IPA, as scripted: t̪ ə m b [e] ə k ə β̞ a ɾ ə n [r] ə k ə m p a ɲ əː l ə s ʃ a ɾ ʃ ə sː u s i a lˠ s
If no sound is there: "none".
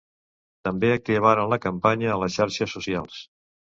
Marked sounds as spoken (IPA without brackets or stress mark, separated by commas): e, l